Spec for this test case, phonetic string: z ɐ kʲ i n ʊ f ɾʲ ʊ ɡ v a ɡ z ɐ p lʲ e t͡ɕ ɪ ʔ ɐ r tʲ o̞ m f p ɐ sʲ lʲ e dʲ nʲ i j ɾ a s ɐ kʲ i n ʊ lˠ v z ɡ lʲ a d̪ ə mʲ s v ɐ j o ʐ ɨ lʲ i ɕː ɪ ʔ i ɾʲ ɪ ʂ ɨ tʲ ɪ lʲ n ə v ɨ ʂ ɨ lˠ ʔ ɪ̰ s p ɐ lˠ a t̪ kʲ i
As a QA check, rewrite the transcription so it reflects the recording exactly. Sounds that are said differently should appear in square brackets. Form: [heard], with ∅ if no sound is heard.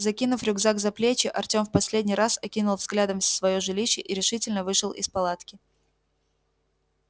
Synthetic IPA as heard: z ɐ kʲ i n ʊ f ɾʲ ʊ ɡ [z] a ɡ z ɐ p lʲ e t͡ɕ ɪ ʔ ɐ r tʲ o̞ m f p ɐ sʲ lʲ e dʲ nʲ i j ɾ a s ɐ kʲ i n ʊ lˠ v z ɡ lʲ a d̪ ə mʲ s v ɐ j o ʐ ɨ lʲ i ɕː ɪ ʔ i ɾʲ ɪ ʂ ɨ tʲ ɪ lʲ n ə v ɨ ʂ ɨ lˠ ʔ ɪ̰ s p ɐ lˠ a t̪ kʲ [ɪ]